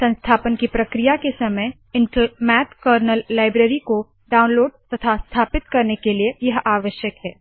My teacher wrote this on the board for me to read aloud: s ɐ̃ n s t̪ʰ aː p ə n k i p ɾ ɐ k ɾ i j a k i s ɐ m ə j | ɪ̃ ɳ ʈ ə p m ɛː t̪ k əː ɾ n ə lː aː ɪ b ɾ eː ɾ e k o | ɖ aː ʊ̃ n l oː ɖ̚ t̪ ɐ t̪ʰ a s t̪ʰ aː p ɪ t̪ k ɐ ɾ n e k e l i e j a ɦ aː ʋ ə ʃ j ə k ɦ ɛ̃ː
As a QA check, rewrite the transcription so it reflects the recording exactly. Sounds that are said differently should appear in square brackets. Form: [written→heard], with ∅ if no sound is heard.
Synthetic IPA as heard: s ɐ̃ n s t̪ʰ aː p ə n k i p ɾ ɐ k ɾ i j a k [i→e] s ɐ m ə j | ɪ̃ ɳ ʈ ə [p→∅] m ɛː t̪ k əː ɾ n ə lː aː ɪ b ɾ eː ɾ [e→i] k o | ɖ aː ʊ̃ n l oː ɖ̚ t̪ ɐ t̪ʰ a s t̪ʰ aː p ɪ t̪ k ɐ ɾ n e k e l i e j [a→ɐ] ɦ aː ʋ ə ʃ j ə k ɦ [ɛ̃ː→ɛː]